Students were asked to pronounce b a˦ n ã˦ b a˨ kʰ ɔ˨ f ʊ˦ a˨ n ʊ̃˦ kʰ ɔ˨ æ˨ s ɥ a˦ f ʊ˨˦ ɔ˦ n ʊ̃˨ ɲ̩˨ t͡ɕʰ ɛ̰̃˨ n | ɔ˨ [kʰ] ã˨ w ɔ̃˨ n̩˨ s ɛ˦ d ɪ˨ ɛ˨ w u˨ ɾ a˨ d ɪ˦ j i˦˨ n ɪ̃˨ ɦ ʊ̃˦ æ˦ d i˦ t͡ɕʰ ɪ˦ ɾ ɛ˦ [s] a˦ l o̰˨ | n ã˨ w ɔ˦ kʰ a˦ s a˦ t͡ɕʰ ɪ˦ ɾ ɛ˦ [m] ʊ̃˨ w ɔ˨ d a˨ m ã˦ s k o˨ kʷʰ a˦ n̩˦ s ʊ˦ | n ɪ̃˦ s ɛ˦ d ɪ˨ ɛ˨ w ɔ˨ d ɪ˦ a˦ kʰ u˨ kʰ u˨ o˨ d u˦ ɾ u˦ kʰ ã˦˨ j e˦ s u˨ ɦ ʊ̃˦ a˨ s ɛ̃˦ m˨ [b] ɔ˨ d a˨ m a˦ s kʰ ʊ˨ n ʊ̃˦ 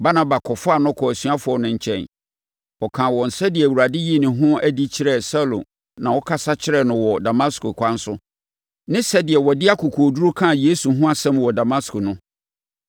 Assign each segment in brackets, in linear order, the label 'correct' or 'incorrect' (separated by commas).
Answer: correct, correct, incorrect, incorrect